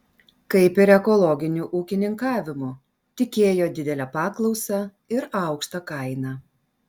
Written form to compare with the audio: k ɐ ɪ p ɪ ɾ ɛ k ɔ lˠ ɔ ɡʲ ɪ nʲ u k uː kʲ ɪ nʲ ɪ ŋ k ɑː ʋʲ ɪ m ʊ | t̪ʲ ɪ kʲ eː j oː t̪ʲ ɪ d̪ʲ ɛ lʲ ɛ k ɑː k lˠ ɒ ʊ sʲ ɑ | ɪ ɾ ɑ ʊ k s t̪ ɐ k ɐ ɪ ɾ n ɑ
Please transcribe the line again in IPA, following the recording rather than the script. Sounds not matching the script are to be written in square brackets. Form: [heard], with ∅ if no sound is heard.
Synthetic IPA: k ɐ ɪ p ɪ ɾ ɛ k ɔ lˠ ɔ ɡʲ ɪ nʲ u [ʔ] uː kʲ ɪ nʲ ɪ ŋ k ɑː ʋʲ ɪ m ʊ | t̪ʲ ɪ kʲ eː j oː [d̪ʲ] ɪ d̪ʲ ɛ lʲ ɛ [p] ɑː k lˠ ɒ ʊ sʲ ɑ | ɪ ɾ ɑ ʊ k [ʃ] t̪ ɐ k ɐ ɪ [∅] n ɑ